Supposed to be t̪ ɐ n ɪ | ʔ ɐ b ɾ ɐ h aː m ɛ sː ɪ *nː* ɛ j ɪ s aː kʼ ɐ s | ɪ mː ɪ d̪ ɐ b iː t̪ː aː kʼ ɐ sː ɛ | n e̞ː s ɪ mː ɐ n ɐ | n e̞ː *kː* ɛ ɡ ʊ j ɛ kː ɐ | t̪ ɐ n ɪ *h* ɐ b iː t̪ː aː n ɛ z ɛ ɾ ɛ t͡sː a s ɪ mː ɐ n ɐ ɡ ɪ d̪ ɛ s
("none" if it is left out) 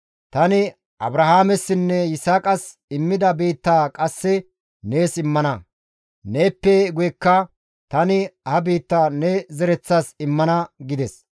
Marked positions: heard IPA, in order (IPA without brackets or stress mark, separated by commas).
nː, pː, h